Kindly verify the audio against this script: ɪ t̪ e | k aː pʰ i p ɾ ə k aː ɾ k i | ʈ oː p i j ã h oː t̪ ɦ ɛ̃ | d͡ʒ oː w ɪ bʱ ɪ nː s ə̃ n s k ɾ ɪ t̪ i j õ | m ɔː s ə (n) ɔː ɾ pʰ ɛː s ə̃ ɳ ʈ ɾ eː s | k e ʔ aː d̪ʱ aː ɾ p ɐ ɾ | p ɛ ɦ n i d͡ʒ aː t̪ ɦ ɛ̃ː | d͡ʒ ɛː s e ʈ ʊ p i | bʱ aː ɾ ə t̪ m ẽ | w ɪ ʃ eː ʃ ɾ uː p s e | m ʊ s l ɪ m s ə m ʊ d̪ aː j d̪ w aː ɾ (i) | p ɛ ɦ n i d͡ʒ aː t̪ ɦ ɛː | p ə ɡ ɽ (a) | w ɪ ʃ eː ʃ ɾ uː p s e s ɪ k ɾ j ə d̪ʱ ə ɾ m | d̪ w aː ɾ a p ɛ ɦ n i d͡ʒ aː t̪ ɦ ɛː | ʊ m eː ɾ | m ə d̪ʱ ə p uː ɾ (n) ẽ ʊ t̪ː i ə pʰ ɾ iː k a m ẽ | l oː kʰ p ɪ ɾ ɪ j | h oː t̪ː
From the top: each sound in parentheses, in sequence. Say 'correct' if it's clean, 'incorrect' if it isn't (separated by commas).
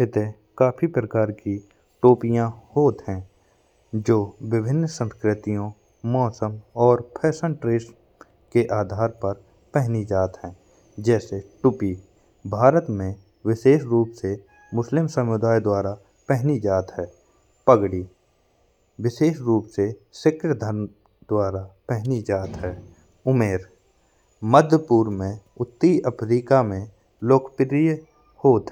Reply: incorrect, incorrect, incorrect, incorrect